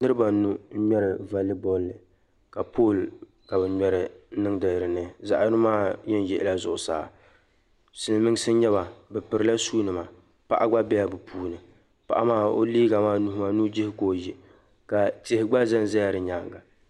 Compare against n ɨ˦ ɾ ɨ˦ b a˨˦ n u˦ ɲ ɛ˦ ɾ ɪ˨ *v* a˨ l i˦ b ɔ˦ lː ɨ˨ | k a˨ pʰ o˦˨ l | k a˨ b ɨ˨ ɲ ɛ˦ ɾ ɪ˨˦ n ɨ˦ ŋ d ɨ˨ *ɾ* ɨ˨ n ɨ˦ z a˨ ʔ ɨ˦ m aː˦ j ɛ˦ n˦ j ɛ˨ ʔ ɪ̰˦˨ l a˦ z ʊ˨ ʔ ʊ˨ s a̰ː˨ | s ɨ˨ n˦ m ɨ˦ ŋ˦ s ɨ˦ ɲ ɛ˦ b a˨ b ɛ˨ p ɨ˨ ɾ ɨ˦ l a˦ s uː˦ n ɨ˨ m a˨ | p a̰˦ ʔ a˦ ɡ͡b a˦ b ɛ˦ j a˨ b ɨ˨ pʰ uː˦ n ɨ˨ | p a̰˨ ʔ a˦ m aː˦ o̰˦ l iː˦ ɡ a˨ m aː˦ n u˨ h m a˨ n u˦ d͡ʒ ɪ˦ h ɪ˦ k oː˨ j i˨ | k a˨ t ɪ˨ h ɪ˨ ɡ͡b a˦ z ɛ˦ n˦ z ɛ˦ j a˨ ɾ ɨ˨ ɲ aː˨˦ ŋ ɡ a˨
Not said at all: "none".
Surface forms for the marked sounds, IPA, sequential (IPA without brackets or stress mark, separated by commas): v, ɾ